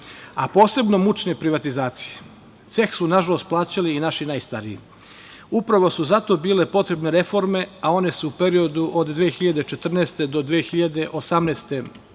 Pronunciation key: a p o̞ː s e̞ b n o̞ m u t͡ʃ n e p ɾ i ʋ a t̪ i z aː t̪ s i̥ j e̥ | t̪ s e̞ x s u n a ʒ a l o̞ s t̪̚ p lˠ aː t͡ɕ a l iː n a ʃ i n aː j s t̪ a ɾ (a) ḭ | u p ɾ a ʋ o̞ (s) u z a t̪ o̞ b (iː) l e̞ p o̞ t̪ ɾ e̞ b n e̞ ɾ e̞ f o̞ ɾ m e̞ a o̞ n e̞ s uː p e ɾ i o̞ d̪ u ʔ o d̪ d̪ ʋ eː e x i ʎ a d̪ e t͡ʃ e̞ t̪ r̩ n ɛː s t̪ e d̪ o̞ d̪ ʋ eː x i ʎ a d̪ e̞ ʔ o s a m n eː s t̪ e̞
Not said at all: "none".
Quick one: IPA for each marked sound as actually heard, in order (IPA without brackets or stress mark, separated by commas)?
i, s, iː